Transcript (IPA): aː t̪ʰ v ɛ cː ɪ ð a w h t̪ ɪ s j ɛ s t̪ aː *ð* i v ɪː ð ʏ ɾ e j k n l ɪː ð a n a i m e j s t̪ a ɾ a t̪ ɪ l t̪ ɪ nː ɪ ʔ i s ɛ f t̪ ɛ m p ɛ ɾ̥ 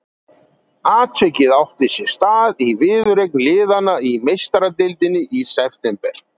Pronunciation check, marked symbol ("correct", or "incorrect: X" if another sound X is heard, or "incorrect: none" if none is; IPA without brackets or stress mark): correct